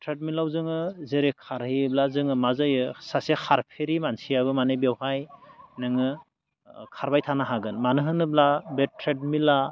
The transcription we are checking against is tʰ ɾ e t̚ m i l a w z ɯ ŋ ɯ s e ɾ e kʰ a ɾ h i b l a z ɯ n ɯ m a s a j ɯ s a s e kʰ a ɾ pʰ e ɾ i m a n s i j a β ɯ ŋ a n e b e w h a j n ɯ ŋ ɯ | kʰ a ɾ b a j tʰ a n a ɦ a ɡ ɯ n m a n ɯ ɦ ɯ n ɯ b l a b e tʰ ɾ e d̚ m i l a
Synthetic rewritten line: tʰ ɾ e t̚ m i l a w z ɯ ŋ ɯ z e ɾ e kʰ a ɾ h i b l a z ɯ ŋ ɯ m a z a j ɯ s a s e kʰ a ɾ pʰ e ɾ i m a n s i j a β ɯ m a n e b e w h a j n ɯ ŋ ɯ | kʰ a ɾ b a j tʰ a n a ɦ a ɡ ɯ n m a n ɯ ɦ ɯ n ɯ b l a b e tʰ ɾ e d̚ m i l a